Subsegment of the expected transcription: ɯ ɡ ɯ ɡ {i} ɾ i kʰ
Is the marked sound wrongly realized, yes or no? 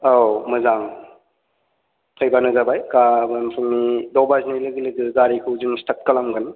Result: yes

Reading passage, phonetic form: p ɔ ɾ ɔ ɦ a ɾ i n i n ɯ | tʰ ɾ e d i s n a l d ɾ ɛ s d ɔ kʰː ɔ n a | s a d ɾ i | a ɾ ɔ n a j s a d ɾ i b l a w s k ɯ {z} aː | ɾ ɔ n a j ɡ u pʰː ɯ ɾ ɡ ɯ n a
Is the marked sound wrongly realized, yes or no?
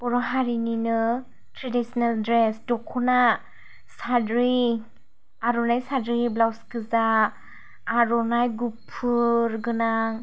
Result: no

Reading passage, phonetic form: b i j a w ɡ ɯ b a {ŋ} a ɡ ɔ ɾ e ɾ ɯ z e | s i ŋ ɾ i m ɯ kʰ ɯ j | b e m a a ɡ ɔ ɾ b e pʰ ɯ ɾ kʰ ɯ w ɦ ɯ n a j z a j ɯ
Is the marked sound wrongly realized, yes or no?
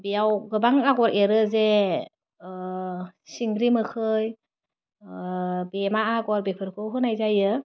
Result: no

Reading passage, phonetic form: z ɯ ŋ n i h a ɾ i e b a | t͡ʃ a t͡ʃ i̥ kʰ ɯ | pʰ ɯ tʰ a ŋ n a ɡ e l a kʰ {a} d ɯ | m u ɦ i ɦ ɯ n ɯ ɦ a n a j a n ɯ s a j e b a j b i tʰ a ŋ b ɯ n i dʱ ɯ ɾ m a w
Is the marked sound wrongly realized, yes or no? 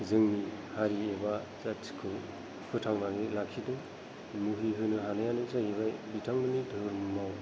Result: yes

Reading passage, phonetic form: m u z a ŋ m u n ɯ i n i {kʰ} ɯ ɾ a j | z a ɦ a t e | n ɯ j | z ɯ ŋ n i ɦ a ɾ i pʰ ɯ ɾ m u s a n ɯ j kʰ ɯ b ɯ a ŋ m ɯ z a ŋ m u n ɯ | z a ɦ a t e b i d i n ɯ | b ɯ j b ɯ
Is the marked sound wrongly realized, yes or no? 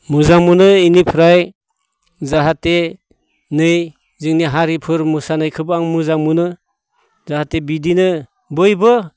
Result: yes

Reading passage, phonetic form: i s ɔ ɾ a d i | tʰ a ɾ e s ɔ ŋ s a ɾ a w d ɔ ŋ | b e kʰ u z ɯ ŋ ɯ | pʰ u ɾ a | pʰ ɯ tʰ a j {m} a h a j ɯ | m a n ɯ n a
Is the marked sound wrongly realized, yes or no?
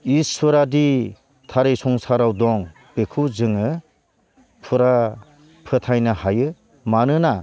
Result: yes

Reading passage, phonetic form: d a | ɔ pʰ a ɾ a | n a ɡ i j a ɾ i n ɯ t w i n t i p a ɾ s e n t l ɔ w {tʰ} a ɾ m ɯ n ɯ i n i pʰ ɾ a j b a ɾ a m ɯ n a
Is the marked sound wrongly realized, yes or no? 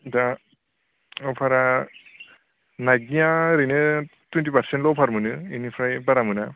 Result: yes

